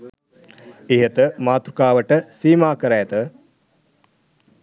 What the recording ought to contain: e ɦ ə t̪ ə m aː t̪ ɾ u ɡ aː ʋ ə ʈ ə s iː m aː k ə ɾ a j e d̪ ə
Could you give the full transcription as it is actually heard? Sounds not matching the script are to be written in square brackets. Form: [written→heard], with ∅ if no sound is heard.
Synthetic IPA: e ɦ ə t̪ ə m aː t̪ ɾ u [ɡ→k] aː ʋ ə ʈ ə s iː m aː k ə ɾ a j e [d̪→t̪] ə